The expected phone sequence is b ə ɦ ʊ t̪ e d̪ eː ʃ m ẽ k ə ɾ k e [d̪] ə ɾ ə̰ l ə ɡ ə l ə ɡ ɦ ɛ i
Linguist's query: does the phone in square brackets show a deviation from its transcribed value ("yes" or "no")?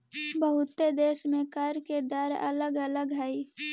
no